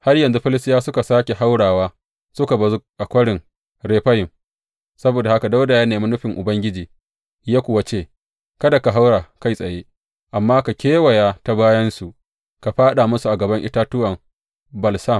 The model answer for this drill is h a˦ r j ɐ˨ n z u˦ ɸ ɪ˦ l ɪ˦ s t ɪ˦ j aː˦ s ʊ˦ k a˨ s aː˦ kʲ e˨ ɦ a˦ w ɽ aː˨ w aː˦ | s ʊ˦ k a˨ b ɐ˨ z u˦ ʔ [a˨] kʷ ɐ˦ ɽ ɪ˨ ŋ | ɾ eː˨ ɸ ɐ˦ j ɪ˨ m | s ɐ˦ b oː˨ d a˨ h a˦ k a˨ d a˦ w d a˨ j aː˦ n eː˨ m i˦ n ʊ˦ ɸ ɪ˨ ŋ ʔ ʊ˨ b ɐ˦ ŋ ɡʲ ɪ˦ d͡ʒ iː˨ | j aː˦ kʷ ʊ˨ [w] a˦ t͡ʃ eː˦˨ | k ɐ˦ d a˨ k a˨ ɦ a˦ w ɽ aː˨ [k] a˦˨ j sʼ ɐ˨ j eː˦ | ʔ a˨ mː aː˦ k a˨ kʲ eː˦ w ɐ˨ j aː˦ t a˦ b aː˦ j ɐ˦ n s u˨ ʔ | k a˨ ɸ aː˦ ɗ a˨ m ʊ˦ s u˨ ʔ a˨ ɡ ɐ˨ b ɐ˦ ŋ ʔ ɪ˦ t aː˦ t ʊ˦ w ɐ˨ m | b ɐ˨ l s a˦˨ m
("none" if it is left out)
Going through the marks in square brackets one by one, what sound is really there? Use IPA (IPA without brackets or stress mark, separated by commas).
a˨, w, k